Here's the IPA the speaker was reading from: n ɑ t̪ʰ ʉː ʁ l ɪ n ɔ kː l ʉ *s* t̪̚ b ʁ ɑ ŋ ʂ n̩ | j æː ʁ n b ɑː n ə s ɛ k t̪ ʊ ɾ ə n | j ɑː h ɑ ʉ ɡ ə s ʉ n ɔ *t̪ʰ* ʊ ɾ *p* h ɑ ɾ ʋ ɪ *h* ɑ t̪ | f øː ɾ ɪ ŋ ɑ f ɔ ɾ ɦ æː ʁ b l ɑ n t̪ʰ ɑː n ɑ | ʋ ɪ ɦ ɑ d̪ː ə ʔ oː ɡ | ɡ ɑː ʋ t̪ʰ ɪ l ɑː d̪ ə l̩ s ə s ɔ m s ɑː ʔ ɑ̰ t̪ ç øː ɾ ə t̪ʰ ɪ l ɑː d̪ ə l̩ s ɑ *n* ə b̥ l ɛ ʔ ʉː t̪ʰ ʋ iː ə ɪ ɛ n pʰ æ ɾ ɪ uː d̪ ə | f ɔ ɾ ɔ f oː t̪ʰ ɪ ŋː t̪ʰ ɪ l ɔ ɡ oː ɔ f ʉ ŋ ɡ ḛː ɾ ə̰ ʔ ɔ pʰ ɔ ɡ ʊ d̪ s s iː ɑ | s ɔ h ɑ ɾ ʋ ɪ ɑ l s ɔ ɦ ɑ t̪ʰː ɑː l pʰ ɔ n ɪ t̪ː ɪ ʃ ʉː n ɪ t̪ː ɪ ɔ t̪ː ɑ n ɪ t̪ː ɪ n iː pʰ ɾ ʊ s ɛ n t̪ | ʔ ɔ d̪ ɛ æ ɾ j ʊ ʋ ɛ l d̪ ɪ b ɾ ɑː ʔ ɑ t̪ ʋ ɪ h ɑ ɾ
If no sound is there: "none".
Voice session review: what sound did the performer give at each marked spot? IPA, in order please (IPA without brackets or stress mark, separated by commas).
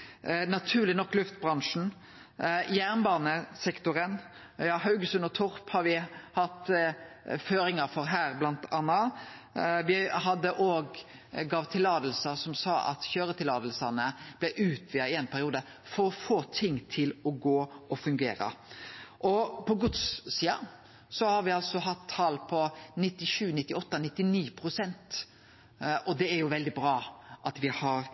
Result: f, t̪ʰ, p, h, n